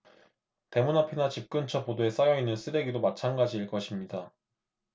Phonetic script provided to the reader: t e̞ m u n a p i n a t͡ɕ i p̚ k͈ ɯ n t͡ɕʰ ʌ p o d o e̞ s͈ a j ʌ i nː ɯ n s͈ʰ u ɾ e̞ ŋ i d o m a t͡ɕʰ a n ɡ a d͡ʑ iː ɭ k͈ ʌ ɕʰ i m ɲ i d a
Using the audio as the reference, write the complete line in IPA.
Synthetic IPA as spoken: t e̞ m u n a pʰ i n a t͡ɕ i p̚ k͈ ɯ n t͡ɕʰ ʌ p o d o e̞ s͈ a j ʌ i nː ɯ n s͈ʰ ɯ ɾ e̞ ɡ i d o m a t͡ɕʰ a n ɡ a d͡ʑ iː ɭ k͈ ʌ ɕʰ i m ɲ i d a

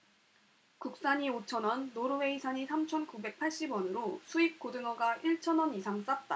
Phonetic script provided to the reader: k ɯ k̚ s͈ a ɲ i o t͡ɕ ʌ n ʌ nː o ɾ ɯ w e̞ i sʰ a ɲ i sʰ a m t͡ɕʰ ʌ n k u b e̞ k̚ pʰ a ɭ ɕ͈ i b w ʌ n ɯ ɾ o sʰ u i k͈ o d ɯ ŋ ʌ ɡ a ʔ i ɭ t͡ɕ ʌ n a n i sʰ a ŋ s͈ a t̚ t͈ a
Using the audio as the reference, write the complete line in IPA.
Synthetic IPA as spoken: k u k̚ s͈ a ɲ i o t͡ɕʰ ʌ n ʌ nː o ɾ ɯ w e̞ i sʰ a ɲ i sʰ a m t͡ɕʰ ʌ n k u b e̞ k̚ pʰ a ɭ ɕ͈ i b w ʌ n ɯ ɾ o sʰ u i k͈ o d ɯ ŋ ʌ ɡ a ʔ i ɭ t͡ɕʰ ʌ n ʌ n i sʰ a ŋ s͈ a t̚ t͈ a

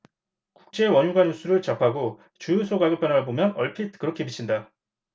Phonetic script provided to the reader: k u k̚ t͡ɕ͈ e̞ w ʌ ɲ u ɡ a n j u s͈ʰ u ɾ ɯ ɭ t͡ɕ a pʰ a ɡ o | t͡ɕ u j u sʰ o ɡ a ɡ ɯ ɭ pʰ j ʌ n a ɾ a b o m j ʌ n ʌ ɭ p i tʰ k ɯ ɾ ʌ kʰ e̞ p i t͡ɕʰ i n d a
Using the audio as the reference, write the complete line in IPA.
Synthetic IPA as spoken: k u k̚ t͡ɕ͈ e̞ w ʌ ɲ u ɡ a n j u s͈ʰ u ɾ ɯ ɭ t͡ɕ a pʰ a ɡ o | t͡ɕ u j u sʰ o ɡ a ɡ ɯ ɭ pʰ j ʌ n a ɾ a b o m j ʌ n ʌ ɭ pʰ i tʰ k ɯ ɾ ʌ kʰ e̞ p i t͡ɕʰ i n d a

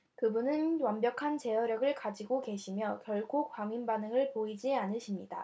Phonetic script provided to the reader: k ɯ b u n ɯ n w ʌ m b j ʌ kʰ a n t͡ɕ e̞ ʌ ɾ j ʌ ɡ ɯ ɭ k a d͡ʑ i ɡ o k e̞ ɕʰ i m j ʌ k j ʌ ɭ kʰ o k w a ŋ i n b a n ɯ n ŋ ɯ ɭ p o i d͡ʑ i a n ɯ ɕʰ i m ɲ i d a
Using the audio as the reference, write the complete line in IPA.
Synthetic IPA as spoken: k ɯ b u n ɯ n w ʌ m b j ʌ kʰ a n t͡ɕ e̞ ʌ ɾ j ʌ ɡ ɯ ɭ k a d͡ʑ i ɡ o k e̞ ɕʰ i m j ʌ k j ʌ ɭ kʰ o k w a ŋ i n b a n ɯ ŋ ɯ ɭ p o i d͡ʑ i a n ɯ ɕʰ i m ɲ i d a

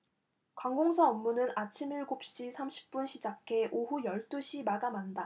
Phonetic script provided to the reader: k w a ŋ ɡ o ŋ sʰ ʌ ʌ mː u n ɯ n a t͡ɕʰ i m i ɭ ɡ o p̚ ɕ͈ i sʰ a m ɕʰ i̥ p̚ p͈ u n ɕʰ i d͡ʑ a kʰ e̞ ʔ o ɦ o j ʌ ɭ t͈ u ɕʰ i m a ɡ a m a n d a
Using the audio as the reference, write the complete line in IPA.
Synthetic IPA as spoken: k w a ŋ ɡ o ŋ sʰ ʌ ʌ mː u n ɯ n a t͡ɕʰ i m i ɭ ɡ o p̚ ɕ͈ i sʰ a m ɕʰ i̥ p̚ p͈ u n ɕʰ i d͡ʑ a kʰ e̞ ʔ o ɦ u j ʌ ɭ t͈ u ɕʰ i m a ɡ a m a n d a

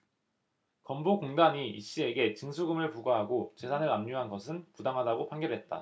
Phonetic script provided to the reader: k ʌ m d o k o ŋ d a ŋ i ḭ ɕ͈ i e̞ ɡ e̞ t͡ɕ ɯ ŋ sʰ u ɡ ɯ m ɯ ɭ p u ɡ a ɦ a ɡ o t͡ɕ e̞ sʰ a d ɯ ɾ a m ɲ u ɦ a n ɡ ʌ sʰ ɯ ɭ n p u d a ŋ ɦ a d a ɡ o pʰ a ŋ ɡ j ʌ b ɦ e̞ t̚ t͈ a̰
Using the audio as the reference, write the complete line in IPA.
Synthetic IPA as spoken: k ʌ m b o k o ŋ d a ɲ i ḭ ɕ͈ i e̞ ɡ e̞ t͡ɕ ɯ ŋ sʰ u ɡ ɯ m ɯ ɭ p u ɡ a ɦ a ɡ o t͡ɕ e̞ sʰ a n ɯ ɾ a m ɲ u ɦ a n ɡ ʌ sʰ ɯ n p u d a ŋ ɦ a d a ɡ o pʰ a ŋ ɡ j ʌ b ɦ e̞ t̚ t͈ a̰

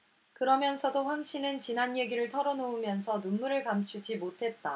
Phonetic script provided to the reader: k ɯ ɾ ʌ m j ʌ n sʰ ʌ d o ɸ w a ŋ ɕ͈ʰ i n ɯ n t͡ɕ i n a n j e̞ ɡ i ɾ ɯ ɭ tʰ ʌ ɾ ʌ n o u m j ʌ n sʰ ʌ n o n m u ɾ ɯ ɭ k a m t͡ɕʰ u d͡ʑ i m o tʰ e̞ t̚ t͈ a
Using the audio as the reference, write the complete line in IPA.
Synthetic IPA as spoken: k ɯ ɾ ʌ m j ʌ n sʰ ʌ d o ɸ w a ŋ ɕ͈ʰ i n ɯ n t͡ɕ i n a n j e̞ ɡ i ɾ ɯ ɭ tʰ ʌ ɾ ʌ n o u m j ʌ n sʰ ʌ n u n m u ɾ ɯ ɭ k a m t͡ɕʰ u d͡ʑ i m o tʰ e̞ t̚ t͈ a

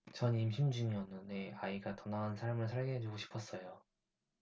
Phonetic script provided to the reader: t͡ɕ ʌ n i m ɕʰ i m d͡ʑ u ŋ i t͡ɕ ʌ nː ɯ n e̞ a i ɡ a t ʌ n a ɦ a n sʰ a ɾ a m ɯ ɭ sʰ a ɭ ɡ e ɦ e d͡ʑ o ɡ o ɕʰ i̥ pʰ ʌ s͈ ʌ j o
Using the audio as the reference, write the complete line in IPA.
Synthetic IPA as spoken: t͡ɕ ʌ n i m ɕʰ i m d͡ʑ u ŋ i ʌ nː ɯ n e̞ a i ɡ a t ʌ n a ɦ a n sʰ a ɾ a m ɯ ɭ sʰ a ɭ ɡ e ɦ e d͡ʑ o ɡ o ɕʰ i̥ pʰ ʌ s͈ ʌ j o

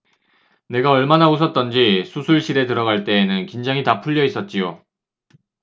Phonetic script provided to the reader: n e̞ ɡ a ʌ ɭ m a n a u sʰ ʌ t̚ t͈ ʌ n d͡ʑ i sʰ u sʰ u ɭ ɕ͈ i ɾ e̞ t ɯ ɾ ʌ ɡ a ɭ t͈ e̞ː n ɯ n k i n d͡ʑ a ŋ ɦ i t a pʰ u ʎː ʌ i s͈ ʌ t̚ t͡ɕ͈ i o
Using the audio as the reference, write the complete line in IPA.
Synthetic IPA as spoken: n e̞ ɡ a ʌ ɭ m a n a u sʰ ʌ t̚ t͈ ʌ n d͡ʑ i sʰ u sʰ u ɭ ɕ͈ i ɾ e̞ t ɯ ɾ ʌ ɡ a ɭ t͈ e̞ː n ɯ n k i n d͡ʑ a ŋ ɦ i t a pʰ u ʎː ʌ i s͈ ʌ t̚ t͡ɕ͈ i o

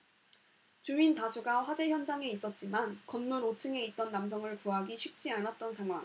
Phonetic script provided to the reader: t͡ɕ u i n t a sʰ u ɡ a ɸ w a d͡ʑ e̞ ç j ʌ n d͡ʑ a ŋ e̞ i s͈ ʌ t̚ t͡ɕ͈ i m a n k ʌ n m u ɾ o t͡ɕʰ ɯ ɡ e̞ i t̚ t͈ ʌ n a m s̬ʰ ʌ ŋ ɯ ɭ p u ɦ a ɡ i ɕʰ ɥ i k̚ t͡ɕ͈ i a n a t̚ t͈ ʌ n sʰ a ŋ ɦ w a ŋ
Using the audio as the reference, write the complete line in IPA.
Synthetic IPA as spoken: t͡ɕ u i n t a sʰ u ɡ a ɸ w a d͡ʑ e̞ ç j ʌ n d͡ʑ a ŋ e̞ i s͈ ʌ t̚ t͡ɕ͈ i m a n k ʌ n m u ɾ o t͡ɕʰ ɯ ŋ e̞ i t̚ t͈ ʌ nː a m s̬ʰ ʌ ŋ ɯ ɭ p u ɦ a ɡ i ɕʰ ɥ i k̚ t͡ɕ͈ i a n a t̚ t͈ ʌ n sʰ a ŋ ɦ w a ŋ

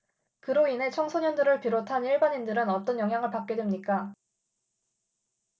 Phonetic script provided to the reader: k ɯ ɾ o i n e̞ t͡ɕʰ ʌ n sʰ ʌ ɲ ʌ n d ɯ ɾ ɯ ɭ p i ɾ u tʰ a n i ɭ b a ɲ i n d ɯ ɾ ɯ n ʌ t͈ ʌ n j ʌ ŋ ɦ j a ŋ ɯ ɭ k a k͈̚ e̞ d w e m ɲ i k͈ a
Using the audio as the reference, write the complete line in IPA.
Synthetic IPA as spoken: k ɯ ɾ o i n e̞ t͡ɕʰ ʌ ŋ sʰ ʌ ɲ ʌ n d ɯ ɾ ɯ ɭ p i ɾ o tʰ a n i ɭ b a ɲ i n d ɯ ɾ ɯ n ʌ t͈ ʌ n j ʌ ŋ ɦ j a ŋ ɯ ɭ p a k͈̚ e̞ d w e m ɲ i k͈ a

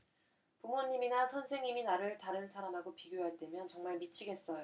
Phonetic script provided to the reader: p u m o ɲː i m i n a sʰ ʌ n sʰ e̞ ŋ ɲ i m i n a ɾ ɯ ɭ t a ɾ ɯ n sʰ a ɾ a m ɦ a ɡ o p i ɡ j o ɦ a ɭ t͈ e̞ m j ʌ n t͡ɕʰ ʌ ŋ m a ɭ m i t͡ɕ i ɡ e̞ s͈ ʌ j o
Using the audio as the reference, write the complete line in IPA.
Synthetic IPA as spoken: p u m o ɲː i m i n a sʰ ʌ n sʰ e̞ ŋ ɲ i m i n a ɾ ɯ ɭ t a ɾ ɯ n sʰ a ɾ a m ɦ a ɡ o p i ɡ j o ɦ a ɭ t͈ e̞ m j ʌ n t͡ɕ ʌ ŋ m a ɭ m i t͡ɕʰ i ɡ e̞ s͈ ʌ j o

